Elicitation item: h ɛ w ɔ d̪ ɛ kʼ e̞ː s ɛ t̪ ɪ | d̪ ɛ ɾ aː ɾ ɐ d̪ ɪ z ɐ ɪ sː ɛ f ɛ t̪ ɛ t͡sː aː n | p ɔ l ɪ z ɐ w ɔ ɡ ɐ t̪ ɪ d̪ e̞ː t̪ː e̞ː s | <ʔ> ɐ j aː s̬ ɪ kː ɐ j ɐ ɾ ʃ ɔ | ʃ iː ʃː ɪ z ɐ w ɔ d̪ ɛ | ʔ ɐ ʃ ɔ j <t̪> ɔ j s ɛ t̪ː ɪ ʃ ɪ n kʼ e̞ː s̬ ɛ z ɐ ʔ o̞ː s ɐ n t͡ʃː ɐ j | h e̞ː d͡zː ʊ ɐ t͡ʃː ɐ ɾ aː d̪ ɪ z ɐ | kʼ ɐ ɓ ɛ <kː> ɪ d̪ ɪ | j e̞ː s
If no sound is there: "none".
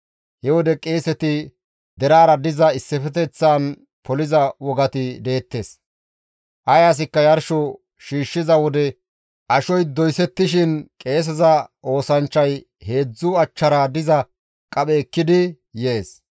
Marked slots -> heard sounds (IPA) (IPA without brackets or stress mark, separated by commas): ʔ, d̪, kː